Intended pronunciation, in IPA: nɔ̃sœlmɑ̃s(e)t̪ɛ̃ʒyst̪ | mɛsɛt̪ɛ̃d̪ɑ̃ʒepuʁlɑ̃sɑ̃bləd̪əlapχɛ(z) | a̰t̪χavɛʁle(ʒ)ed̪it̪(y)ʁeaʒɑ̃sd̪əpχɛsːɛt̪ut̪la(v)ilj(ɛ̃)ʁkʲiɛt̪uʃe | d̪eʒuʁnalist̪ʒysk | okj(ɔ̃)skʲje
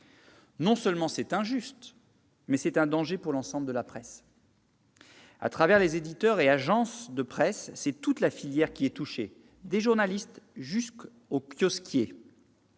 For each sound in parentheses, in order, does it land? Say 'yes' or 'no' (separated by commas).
no, no, no, no, no, no, no